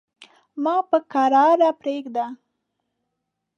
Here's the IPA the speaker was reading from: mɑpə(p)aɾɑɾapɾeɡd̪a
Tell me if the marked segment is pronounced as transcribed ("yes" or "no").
no